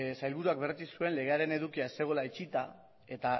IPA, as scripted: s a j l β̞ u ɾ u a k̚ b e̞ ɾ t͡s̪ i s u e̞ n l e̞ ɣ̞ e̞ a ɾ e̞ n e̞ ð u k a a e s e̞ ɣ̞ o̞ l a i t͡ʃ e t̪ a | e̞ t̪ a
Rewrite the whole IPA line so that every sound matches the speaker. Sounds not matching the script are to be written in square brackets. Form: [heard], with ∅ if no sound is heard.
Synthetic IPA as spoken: s a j l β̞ u ɾ u a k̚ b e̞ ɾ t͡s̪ i s u e̞ n l e̞ ɣ̞ e̞ a ɾ e̞ n e̞ ð u k [i] a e s e̞ ɣ̞ o̞ l a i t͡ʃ [i] t̪ a | e̞ t̪ a